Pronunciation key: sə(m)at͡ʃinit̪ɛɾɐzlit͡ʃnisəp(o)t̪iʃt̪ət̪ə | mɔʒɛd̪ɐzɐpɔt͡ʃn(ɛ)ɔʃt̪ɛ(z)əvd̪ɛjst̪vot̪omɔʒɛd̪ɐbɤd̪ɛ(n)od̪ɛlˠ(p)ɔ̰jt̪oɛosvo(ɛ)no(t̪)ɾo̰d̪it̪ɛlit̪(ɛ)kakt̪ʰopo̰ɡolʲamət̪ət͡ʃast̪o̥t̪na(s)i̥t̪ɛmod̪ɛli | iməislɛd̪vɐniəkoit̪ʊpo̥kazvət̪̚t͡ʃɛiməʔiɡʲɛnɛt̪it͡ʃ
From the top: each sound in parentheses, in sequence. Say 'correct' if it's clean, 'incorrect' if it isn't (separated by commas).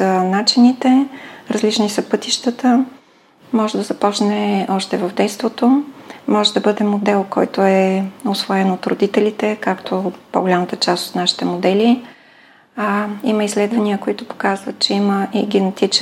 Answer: incorrect, incorrect, correct, incorrect, incorrect, incorrect, correct, correct, correct, incorrect